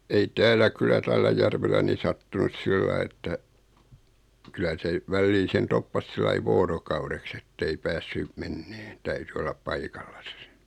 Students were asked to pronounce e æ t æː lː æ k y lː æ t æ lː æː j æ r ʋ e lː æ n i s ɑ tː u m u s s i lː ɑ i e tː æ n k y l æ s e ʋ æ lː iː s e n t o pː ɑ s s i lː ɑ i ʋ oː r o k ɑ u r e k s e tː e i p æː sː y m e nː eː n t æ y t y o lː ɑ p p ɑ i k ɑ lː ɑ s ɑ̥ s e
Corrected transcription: e i t æː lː æ k y lː æ t æ lː æ j æ r ʋ e lː æ n i s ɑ tː u n u s s i lː ɑ i e tː æ k y l æ s e ʋ æ lː iː s e n t o pː ɑ s s i lː ɑ i ʋ oː r o k ɑ u r e k s e tː e i p æː sː y m e nː eː n t æ y t y o lː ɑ p p ɑ i k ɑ lː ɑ s ɑ̥ s e